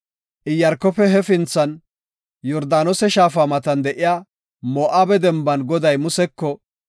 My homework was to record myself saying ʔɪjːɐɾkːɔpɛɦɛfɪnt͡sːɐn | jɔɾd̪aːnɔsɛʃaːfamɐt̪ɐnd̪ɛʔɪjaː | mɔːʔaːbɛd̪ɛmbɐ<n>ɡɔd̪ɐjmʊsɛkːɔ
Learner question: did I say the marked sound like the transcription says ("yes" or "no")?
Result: yes